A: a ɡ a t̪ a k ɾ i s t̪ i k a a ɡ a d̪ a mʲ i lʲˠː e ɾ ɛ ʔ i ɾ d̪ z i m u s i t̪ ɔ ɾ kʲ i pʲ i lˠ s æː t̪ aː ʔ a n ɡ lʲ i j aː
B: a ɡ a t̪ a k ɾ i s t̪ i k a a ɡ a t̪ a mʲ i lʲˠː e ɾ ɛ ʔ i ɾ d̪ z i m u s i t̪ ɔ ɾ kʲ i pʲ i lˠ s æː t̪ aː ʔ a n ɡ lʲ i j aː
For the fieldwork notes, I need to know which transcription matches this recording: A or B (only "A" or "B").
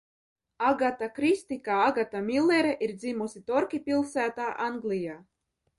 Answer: B